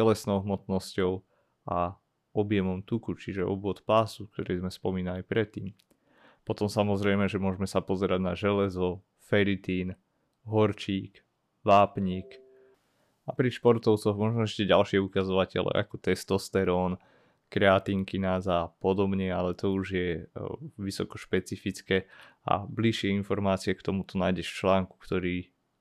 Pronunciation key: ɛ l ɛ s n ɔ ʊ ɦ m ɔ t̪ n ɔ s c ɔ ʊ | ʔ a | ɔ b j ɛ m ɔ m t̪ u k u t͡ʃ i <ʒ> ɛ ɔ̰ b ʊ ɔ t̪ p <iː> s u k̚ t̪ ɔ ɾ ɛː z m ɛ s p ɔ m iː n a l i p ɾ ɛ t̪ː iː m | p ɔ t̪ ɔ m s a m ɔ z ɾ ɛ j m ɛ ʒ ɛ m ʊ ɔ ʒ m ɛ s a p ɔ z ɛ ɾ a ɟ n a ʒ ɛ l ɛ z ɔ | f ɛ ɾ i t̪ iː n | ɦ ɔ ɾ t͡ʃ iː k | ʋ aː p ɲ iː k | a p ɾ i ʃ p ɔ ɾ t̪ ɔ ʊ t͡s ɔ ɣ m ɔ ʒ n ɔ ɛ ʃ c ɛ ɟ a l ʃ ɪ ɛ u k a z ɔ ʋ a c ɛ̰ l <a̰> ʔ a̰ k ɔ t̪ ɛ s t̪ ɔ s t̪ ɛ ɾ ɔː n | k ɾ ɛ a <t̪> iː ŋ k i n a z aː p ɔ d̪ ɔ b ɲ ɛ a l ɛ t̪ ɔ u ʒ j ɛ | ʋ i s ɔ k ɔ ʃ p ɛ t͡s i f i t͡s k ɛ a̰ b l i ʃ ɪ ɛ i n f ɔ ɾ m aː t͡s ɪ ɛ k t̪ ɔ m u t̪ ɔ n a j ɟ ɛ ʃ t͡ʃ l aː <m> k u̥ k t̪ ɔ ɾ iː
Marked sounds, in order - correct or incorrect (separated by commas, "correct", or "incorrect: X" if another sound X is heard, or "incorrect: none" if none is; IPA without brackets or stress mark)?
correct, incorrect: aː, incorrect: ɛ̰, correct, incorrect: ŋ